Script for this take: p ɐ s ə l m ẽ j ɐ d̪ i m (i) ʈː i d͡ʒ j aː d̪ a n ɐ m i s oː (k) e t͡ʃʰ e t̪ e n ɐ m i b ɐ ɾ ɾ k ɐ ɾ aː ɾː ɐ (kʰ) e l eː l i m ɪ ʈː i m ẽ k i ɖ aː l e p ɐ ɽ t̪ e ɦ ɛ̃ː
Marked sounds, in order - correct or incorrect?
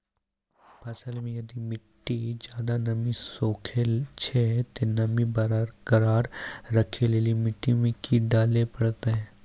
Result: incorrect, incorrect, correct

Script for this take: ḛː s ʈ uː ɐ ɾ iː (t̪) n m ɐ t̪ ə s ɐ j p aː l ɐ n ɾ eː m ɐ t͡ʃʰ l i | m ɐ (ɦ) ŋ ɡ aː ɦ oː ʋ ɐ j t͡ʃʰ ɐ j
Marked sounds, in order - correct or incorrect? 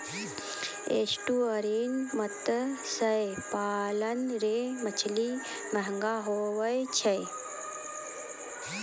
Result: incorrect, correct

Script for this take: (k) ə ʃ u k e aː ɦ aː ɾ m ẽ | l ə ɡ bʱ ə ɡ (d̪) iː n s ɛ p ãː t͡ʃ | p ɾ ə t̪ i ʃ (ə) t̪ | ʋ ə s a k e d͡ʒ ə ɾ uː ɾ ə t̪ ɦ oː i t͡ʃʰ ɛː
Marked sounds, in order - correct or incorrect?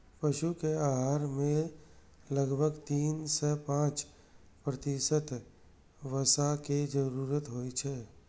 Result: incorrect, incorrect, correct

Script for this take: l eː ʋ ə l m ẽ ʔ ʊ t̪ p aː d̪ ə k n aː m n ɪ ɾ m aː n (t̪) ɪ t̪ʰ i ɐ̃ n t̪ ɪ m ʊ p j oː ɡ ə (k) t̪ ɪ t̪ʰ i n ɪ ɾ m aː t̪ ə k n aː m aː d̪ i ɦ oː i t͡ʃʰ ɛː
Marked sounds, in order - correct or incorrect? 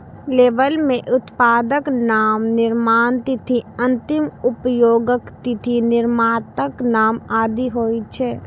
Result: correct, correct

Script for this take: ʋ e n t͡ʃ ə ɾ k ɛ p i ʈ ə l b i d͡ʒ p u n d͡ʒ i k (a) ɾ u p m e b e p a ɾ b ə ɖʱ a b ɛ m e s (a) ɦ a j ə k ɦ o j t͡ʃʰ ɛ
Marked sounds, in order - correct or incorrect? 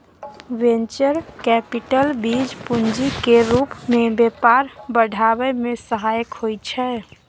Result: incorrect, incorrect

